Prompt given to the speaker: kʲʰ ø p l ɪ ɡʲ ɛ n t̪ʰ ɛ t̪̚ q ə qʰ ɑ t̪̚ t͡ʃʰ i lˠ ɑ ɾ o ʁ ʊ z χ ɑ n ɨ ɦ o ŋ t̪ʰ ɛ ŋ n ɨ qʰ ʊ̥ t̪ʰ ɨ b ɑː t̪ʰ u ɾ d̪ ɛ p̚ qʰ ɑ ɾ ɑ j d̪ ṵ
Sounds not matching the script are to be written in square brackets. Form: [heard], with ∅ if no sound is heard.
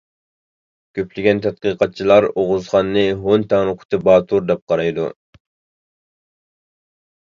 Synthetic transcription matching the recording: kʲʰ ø p l ɪ ɡʲ ɛ n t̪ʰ ɛ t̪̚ q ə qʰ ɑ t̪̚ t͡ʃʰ i lˠ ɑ ɾ o ʁ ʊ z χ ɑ [nː] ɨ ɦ o [n] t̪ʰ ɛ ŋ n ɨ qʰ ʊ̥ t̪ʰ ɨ b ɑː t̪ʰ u ɾ d̪ ɛ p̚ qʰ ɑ ɾ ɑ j d̪ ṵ